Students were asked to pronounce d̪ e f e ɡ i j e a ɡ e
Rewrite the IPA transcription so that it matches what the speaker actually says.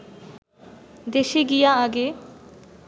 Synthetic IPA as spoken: d̪ e ʃ e ɡ i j a a ɡ e

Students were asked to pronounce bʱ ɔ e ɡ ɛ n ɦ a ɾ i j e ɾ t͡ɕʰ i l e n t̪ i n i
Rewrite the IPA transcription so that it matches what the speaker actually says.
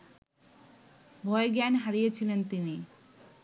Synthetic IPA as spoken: bʱ ɔ e ɡ ɛ n ɦ a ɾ i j e t͡ɕʰ i l e n t̪ i n i

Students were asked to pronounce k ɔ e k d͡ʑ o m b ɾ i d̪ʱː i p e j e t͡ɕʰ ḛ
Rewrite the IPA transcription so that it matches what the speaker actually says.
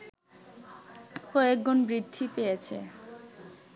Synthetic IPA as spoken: k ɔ e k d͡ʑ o n b ɾ i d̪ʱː i p e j e t͡ɕʰ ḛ

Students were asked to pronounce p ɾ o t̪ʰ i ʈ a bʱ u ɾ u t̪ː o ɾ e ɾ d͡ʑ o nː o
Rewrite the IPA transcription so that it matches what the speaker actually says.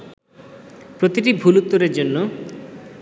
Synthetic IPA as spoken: p ɾ o t̪ i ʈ i bʱ u l u t̪ː o ɾ e ɾ d͡ʑ o nː o

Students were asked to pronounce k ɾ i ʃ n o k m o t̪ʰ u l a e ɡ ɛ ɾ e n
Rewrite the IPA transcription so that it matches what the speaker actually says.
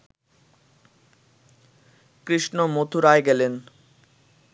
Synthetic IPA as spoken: k ɾ i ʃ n o m o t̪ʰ u ɾ a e ɡ ɛ l e n

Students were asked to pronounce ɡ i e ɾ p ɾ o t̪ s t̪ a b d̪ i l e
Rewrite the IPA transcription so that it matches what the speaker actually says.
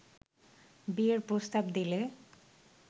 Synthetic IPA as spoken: b i e ɾ p ɾ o s t̪ a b d̪ i l e

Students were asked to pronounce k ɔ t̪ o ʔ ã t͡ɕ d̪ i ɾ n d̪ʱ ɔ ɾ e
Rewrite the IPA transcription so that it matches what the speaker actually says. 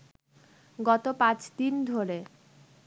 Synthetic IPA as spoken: ɡ ɔ t̪ o p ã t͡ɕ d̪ i n d̪ʱ o ɾ e

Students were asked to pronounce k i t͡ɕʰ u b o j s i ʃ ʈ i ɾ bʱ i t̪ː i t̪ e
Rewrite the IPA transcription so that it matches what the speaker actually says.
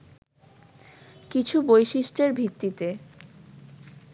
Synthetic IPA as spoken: k i t͡ɕʰ u b o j ʃ i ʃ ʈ e ɾ bʱ i t̪ː i t̪ e

